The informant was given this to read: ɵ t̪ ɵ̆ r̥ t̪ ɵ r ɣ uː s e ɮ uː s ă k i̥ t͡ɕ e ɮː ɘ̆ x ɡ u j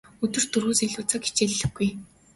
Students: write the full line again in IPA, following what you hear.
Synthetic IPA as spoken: ɵ t̪ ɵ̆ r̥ t̪ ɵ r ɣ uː s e ɮ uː t͡s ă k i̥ t͡ɕ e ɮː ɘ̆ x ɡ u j